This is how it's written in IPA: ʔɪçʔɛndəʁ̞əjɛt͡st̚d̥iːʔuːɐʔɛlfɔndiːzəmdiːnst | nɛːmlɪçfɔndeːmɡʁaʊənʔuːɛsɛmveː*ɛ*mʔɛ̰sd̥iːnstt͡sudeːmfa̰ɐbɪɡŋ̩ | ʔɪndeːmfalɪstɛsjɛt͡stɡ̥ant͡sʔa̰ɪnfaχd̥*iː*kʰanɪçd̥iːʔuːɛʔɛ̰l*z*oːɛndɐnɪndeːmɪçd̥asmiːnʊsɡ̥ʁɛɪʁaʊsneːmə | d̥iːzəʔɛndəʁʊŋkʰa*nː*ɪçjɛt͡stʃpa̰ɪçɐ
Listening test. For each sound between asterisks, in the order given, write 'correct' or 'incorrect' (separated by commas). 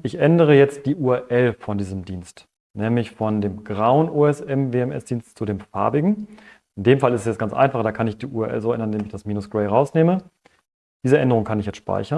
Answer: correct, incorrect, correct, incorrect